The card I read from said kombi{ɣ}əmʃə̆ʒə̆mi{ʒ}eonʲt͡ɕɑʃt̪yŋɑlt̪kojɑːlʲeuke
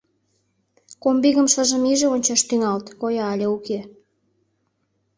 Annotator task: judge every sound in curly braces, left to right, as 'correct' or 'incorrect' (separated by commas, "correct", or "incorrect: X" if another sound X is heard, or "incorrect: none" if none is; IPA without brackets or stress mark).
correct, correct